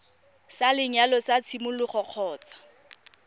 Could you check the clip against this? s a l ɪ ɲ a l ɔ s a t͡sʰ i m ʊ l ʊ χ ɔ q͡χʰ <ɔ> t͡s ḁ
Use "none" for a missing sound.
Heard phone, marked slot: ɔː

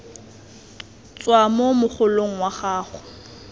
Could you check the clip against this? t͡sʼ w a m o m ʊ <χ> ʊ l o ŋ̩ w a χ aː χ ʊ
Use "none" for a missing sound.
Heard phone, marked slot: χ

